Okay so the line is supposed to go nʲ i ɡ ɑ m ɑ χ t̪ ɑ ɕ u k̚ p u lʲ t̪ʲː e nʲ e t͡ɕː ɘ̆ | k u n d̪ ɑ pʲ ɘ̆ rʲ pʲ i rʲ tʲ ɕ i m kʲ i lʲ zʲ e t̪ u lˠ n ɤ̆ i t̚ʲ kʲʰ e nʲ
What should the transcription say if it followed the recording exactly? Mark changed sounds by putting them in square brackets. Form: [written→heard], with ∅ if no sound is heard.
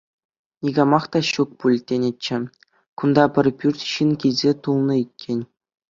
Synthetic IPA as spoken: nʲ i ɡ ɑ m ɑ χ t̪ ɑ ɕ u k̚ p u lʲ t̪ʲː e nʲ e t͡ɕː ɘ̆ | k u n d̪ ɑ pʲ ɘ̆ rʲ pʲ [i→y] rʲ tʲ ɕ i [m→n] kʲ i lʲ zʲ e t̪ u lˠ n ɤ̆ i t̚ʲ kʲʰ e nʲ